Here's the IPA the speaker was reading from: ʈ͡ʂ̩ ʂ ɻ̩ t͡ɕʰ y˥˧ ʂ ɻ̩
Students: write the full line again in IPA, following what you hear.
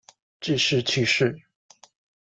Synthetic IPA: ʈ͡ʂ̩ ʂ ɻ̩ t͡ɕʰ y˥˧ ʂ ɻ̩